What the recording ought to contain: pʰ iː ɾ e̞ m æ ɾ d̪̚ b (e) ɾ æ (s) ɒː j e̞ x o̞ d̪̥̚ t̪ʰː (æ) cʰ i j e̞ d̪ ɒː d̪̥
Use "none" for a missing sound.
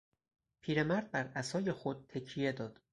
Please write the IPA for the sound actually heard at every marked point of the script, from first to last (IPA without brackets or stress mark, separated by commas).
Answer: æ, s, e